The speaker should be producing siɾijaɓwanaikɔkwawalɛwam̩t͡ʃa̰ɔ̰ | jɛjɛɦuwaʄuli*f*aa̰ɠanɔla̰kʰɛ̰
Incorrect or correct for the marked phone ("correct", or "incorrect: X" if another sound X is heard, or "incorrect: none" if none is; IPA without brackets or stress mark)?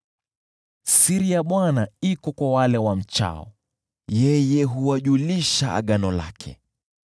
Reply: incorrect: ʃ